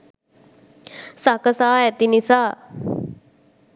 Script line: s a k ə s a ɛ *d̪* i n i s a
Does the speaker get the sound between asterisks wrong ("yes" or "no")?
yes